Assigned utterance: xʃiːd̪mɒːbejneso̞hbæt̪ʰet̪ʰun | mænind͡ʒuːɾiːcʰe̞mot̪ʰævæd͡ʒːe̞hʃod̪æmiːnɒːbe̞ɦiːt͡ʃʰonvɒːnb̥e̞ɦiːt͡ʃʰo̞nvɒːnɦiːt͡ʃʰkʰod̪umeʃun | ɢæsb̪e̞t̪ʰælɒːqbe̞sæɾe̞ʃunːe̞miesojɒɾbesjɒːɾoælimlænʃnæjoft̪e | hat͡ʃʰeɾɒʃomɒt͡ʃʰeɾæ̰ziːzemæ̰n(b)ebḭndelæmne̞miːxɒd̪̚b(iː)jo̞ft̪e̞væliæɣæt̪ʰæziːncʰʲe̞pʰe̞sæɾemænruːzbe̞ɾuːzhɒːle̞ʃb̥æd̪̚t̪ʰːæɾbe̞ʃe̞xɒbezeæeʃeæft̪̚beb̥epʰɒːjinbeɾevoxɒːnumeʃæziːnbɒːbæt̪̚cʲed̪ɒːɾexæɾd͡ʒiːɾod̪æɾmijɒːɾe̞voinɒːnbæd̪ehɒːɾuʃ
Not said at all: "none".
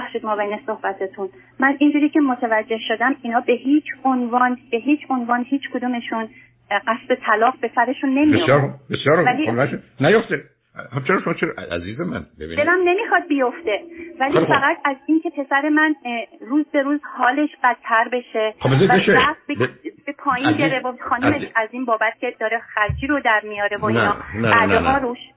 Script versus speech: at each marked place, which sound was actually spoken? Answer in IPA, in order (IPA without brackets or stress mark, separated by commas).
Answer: b, i